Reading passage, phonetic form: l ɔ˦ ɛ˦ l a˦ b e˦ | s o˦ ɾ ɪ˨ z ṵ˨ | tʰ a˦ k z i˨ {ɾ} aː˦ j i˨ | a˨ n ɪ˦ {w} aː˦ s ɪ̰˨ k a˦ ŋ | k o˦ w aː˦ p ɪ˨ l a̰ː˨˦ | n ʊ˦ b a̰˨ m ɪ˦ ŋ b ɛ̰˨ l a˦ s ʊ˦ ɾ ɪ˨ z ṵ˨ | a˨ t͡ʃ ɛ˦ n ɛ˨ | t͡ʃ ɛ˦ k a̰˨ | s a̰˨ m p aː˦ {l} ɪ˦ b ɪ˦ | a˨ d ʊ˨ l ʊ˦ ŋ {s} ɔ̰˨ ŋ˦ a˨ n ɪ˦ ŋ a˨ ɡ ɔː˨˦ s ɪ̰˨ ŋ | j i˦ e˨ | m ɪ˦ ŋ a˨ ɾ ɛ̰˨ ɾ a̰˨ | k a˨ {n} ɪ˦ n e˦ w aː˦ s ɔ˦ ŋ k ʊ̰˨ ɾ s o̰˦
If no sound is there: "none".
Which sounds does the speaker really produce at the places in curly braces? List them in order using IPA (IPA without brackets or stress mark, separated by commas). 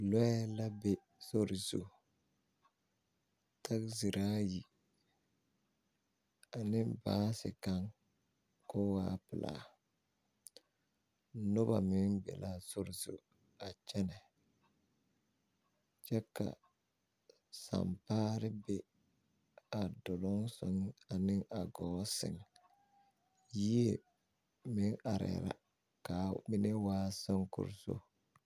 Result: ɾ, b, ɾ, s, m